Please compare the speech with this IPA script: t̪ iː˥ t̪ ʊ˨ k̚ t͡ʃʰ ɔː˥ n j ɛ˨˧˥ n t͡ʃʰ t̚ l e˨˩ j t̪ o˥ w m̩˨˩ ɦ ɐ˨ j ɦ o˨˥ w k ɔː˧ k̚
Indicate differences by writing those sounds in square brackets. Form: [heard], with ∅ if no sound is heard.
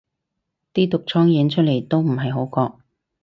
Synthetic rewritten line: t̪ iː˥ t̪ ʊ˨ k̚ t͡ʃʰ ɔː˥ [ŋ] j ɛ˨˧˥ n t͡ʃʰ t̚ l e˨˩ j t̪ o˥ w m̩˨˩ ɦ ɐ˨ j ɦ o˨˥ w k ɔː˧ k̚